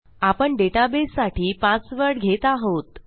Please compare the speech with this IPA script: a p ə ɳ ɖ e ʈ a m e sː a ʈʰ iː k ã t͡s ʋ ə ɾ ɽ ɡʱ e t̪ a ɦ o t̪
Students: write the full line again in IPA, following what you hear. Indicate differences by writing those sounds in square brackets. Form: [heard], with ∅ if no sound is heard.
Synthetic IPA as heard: a p ə ɳ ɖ e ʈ a [b] e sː a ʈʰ iː [p] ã t͡s ʋ ə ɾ ɽ ɡʱ e t̪ a ɦ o t̪